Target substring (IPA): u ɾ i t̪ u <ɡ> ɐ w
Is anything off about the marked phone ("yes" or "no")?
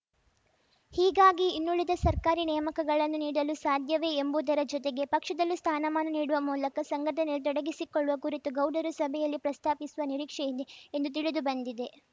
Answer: no